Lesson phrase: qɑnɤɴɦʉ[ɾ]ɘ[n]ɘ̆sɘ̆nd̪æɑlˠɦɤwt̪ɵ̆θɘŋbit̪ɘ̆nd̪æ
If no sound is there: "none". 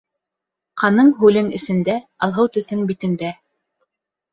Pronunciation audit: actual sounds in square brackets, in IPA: l, ŋ

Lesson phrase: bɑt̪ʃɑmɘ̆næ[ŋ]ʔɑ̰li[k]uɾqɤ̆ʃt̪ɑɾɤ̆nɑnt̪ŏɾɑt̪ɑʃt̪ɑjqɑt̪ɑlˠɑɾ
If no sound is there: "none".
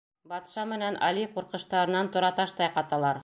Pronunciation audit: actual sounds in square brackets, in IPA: n, q

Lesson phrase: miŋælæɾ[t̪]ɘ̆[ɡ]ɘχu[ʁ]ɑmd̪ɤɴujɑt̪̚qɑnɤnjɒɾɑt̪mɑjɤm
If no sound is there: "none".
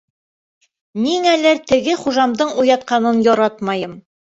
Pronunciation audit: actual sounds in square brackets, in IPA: t̪, ɡ, ʒ

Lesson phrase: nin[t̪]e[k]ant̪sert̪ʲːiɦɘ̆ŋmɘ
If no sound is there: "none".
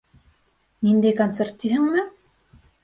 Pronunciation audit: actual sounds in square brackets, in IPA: d̪, k

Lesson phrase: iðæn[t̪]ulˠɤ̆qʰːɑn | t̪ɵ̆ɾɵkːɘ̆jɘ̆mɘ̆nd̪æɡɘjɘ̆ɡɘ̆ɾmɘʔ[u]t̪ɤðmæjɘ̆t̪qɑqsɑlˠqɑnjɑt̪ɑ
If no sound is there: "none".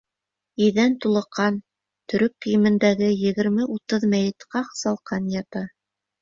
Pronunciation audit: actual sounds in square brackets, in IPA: t̪, u

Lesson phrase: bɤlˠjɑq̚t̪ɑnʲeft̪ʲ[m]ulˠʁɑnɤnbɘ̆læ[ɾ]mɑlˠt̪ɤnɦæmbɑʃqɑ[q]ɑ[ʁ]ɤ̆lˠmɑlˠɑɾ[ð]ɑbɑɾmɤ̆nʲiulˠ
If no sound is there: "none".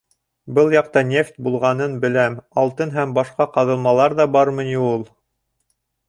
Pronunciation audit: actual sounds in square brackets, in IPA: b, none, q, ð, ð

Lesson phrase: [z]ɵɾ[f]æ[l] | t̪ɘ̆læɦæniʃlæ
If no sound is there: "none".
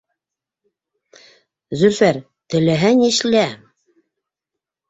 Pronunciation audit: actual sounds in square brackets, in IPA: z, f, ɾ

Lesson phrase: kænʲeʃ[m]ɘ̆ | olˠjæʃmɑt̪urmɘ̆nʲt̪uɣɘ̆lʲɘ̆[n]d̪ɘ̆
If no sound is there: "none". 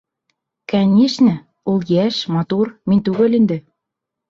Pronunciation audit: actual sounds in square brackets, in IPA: n, n

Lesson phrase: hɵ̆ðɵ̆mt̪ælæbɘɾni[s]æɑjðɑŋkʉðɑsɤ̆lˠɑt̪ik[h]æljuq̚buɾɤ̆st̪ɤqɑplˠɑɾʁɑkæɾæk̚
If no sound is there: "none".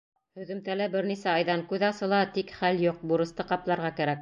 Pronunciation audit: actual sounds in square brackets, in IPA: s, χ

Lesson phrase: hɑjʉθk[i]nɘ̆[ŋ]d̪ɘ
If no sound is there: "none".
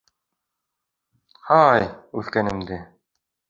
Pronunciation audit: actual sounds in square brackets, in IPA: æ, m

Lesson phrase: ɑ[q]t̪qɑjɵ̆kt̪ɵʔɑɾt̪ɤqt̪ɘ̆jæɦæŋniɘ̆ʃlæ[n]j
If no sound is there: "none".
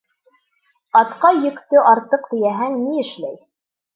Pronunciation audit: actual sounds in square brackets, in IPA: none, none

